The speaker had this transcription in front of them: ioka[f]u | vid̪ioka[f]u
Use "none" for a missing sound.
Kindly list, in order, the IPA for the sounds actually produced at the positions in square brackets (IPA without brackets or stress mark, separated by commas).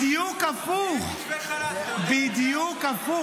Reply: f, f